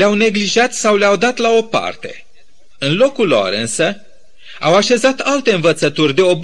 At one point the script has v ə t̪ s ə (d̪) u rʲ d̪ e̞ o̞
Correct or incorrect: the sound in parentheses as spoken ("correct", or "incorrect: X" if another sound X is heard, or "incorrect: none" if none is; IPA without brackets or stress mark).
incorrect: t̪